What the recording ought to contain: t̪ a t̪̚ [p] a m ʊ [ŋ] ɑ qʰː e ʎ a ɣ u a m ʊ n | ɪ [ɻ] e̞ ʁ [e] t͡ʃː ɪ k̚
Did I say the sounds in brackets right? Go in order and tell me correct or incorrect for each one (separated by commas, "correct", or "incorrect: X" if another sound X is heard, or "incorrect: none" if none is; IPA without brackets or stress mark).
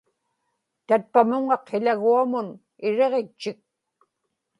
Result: correct, correct, correct, correct